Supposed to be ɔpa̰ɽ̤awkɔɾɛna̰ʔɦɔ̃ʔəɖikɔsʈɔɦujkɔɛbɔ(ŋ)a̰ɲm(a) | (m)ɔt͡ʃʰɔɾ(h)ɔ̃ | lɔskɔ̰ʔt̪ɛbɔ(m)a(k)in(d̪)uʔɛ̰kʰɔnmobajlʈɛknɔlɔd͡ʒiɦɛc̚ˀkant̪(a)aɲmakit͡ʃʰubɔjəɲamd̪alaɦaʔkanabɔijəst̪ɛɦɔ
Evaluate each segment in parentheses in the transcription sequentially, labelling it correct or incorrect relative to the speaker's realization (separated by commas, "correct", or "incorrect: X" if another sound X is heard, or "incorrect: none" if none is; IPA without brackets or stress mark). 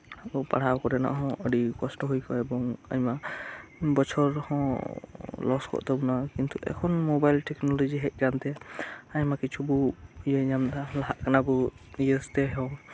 correct, correct, incorrect: b, correct, incorrect: n, correct, incorrect: t̪, incorrect: ɛ